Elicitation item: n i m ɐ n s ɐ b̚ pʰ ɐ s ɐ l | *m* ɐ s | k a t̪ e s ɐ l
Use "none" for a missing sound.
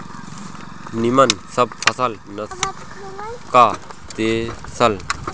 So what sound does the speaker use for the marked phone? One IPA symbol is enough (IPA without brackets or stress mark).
n